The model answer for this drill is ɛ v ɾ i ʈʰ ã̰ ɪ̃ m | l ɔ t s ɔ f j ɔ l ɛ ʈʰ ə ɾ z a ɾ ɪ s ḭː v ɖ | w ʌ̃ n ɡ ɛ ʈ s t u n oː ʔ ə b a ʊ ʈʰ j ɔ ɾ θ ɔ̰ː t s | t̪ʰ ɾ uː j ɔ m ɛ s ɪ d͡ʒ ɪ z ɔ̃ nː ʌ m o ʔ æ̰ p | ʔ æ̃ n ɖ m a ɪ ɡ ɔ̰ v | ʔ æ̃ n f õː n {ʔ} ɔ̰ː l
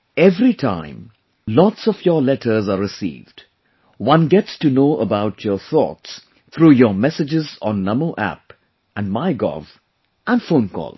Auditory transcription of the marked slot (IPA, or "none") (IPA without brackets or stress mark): k